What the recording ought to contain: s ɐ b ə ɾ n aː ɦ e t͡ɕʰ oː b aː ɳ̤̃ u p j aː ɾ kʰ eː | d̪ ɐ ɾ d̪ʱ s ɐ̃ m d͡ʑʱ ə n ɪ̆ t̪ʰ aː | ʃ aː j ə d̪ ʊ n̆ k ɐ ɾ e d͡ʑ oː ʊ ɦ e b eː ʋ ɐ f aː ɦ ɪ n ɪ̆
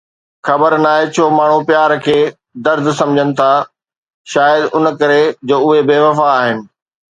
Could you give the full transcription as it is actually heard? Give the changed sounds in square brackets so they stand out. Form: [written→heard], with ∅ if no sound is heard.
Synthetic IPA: [s→x] ɐ b ə ɾ n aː ɦ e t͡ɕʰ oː [b→m] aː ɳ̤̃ u p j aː ɾ kʰ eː | d̪ ɐ ɾ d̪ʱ s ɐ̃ m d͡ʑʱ ə n ɪ̆ t̪ʰ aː | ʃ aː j ə d̪ ʊ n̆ k ɐ ɾ e d͡ʑ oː ʊ ɦ e b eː ʋ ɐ f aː ɦ ɪ n ɪ̆